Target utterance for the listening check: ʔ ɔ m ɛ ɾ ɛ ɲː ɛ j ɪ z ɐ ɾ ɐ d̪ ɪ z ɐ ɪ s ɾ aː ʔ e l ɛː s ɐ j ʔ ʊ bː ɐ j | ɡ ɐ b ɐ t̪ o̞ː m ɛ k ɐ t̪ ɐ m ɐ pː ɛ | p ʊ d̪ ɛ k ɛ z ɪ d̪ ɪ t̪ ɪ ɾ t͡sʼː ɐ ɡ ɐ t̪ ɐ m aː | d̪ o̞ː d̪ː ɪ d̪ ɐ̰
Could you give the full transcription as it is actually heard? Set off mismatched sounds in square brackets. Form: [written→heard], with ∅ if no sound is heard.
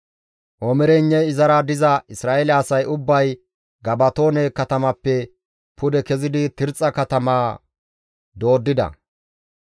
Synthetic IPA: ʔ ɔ m ɛ ɾ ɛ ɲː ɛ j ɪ z ɐ ɾ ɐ d̪ ɪ z ɐ ɪ s ɾ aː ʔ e l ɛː s ɐ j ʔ ʊ bː ɐ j | ɡ ɐ b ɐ t̪ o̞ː [m→n] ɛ k ɐ t̪ ɐ m ɐ pː ɛ | p ʊ d̪ ɛ k ɛ z ɪ d̪ ɪ t̪ ɪ ɾ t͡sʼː ɐ [ɡ→k] ɐ t̪ ɐ m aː | d̪ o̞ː d̪ː ɪ d̪ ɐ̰